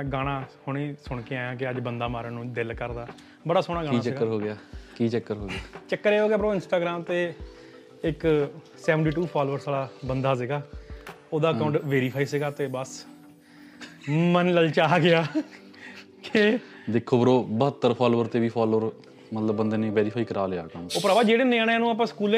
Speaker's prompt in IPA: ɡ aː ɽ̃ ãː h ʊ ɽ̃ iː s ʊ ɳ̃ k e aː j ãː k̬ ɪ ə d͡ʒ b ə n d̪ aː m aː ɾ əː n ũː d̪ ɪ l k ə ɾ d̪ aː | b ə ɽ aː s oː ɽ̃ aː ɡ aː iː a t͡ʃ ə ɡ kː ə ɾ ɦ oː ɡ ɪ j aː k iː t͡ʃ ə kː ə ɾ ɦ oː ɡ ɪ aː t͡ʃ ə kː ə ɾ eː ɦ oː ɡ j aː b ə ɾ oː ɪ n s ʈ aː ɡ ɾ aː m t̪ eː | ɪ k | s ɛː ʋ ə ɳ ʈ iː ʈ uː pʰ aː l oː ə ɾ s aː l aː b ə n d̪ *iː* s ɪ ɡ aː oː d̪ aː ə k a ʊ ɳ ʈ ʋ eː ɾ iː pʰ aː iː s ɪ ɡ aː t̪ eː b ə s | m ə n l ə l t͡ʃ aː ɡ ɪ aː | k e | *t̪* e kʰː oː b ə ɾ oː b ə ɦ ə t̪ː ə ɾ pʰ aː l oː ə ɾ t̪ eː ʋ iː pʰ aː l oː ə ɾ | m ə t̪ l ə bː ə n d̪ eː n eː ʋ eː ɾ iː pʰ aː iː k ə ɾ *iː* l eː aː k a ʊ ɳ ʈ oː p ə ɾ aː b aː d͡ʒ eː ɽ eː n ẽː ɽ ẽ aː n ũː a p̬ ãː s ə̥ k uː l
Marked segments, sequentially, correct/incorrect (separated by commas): incorrect, incorrect, incorrect